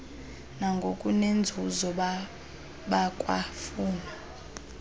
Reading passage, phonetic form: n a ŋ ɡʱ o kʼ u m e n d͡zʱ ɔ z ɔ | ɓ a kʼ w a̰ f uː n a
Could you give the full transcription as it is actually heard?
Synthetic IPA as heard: n a ŋ ɡʱ o kʼ u n e n d͡zʱ u z ɔ | ɓ a kʼ w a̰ f uː n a